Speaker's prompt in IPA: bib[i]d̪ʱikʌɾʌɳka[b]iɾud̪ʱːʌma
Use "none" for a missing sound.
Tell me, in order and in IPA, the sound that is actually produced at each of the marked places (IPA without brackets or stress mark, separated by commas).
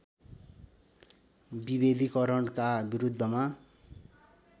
e, b